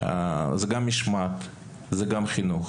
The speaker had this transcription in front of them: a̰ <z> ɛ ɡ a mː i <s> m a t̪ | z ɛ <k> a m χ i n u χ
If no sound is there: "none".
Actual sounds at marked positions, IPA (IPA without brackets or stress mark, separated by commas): z, ʃ, ɡ